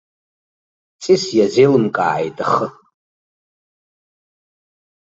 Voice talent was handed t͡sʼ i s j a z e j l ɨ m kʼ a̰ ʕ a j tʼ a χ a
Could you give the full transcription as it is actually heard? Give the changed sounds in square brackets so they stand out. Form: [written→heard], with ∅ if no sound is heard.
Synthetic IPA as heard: t͡sʼ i s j a z e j l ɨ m kʼ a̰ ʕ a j tʼ a χ [a→ə]